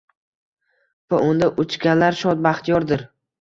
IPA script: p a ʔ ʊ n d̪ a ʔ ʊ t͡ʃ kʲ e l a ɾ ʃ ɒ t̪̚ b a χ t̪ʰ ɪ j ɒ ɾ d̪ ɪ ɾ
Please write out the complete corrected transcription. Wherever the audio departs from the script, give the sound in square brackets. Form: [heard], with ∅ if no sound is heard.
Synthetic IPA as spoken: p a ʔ ʊ n d̪ a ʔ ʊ t͡ʃ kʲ [a] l a ɾ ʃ ɒ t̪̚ b a χ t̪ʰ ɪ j ɒ ɾ d̪ ɪ ɾ